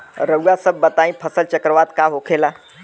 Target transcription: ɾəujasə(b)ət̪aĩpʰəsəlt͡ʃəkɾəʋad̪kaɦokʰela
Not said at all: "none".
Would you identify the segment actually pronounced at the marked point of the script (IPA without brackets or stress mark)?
bː